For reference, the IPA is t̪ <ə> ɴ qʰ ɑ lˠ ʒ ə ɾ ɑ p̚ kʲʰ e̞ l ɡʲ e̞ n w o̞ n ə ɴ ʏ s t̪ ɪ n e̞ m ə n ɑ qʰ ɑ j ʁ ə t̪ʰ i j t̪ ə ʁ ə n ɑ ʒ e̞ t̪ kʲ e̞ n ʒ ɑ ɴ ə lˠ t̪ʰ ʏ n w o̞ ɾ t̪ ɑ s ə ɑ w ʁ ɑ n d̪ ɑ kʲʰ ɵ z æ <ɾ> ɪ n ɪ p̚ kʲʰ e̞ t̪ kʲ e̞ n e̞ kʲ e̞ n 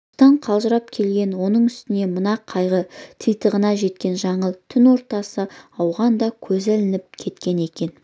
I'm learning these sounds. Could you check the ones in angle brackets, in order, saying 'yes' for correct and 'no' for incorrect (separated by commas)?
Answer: no, no